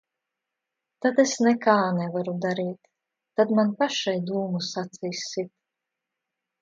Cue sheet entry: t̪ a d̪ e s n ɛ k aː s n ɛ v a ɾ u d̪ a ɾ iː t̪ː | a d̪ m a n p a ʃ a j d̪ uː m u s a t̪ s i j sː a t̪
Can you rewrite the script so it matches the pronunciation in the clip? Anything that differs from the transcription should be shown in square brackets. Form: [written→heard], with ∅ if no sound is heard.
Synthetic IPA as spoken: t̪ a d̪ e s n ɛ k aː [s→∅] n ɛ v a ɾ u d̪ a ɾ iː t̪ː | a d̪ m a n p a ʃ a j d̪ uː m u s a t̪ s i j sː [a→i] t̪

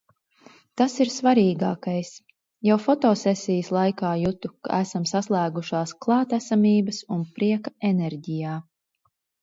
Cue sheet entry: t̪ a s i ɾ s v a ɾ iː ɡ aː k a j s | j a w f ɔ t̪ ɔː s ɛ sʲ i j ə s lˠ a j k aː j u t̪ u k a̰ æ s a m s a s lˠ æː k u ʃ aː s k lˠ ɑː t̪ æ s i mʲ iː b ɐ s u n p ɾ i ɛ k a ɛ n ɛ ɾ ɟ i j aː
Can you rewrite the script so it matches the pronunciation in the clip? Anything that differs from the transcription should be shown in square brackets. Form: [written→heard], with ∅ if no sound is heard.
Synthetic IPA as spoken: t̪ a s i ɾ s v a ɾ iː ɡ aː k a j s | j a w f ɔ t̪ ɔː s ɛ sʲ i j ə s lˠ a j k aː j u t̪ u k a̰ æ s a m s a s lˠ æː [k→ɡ] u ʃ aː s k lˠ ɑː t̪ æ s [i→a] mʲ iː b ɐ s u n p ɾ i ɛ k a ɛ n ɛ ɾ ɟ i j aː

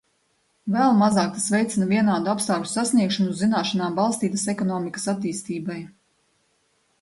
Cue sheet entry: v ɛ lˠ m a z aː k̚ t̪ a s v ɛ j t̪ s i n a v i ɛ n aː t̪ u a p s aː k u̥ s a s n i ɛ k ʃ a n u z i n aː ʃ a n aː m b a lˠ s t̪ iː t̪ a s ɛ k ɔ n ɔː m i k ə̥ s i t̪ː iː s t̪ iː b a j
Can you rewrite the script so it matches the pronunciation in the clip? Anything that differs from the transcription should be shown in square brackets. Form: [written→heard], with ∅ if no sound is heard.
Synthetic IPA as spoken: v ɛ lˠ m a z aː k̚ t̪ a s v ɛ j t̪ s i n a v i ɛ n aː [t̪→d̪] u a p s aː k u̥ s a s n i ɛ k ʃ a n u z i n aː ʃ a n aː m b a lˠ s t̪ iː t̪ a s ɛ k ɔ n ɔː m i k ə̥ s [i→a] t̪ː iː s t̪ iː b a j

